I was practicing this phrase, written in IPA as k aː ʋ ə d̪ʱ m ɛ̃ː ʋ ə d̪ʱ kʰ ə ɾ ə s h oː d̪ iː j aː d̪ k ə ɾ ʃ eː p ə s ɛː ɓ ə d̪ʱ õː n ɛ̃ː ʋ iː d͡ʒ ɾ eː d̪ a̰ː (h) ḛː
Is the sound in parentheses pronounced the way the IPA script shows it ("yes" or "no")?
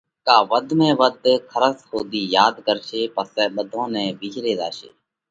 no